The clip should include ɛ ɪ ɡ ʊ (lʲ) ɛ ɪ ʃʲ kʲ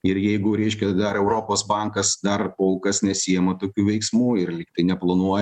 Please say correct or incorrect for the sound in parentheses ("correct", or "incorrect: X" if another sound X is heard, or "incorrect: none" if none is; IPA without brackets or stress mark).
incorrect: ɾʲ